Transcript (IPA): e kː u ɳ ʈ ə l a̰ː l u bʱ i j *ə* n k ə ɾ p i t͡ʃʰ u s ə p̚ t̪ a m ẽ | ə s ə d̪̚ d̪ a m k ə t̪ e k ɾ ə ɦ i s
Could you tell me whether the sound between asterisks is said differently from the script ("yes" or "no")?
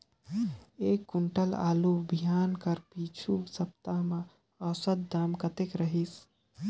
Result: yes